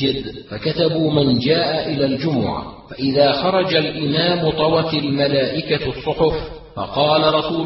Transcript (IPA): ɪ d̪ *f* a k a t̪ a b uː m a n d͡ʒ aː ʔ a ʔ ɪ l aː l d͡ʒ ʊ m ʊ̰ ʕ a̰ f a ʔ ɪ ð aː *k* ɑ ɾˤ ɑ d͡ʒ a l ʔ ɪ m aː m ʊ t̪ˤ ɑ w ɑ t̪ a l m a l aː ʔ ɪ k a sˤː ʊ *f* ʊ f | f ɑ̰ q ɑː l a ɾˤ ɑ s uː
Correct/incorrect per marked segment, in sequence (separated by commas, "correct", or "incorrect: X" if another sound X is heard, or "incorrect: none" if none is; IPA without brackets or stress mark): correct, incorrect: x, incorrect: ħ